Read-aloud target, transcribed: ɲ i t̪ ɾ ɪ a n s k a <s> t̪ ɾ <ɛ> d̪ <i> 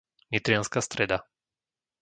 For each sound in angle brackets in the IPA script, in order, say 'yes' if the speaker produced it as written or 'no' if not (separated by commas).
yes, yes, no